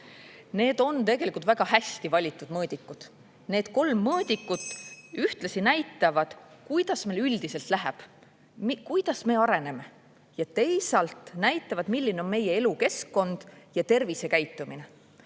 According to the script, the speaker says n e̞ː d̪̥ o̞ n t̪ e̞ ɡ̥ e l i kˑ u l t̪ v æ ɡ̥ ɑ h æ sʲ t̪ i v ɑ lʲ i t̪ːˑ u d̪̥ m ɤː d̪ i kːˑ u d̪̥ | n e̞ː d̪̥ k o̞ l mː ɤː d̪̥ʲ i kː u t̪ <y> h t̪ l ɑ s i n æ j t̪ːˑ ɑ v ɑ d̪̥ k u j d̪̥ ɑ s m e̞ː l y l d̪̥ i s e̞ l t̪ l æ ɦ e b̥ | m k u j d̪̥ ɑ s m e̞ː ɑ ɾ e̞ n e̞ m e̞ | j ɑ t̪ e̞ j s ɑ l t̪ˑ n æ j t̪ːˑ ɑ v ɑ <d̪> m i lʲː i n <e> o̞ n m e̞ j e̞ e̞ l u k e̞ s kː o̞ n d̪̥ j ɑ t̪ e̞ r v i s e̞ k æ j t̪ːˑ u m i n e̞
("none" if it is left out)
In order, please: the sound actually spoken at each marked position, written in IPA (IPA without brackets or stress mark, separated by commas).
y, d̪, e